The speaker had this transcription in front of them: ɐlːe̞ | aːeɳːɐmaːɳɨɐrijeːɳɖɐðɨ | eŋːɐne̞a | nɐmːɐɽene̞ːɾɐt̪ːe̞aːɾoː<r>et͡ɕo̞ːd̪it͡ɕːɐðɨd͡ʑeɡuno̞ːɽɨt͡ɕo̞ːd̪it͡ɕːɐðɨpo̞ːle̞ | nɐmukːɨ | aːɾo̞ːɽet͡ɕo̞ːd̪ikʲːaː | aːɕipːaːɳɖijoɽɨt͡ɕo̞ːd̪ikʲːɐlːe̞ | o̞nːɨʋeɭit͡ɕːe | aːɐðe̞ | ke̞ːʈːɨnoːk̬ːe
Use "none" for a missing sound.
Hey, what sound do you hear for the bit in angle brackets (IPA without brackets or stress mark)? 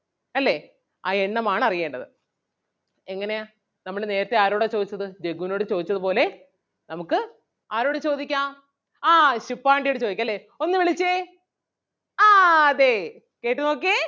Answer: ɽ